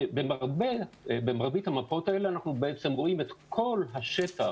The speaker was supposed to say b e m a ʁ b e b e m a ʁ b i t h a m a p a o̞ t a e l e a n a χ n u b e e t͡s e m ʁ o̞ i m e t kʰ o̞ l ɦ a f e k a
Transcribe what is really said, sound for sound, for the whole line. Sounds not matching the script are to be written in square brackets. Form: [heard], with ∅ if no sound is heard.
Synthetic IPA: b e m a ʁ b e b e m a ʁ b i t h a m a p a o̞ t a e l e a n a χ n u b e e t͡s e m ʁ o̞ i m e t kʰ o̞ l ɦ a [ʃ] e [t] a